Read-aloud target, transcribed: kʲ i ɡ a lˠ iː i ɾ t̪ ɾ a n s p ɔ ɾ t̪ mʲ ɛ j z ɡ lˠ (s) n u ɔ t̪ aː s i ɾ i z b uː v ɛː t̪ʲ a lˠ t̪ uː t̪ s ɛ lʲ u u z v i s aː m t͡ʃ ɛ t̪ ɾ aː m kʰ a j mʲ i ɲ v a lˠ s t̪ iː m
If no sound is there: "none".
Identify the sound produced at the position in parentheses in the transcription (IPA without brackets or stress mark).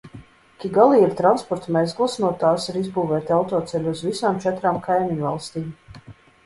s